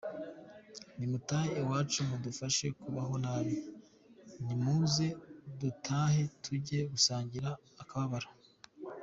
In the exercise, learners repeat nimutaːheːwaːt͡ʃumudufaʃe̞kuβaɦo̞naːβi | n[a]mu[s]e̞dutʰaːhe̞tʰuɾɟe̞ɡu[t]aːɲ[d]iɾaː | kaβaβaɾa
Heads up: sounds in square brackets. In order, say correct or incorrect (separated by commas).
incorrect, incorrect, incorrect, incorrect